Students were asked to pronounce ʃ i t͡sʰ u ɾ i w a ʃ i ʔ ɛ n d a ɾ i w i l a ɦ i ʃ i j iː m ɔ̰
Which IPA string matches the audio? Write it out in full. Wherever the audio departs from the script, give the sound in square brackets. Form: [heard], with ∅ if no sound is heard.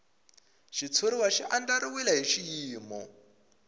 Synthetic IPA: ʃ i t͡sʰ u ɾ i w a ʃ i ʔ [a] n d a ɾ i w i l a ɦ i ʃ i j iː m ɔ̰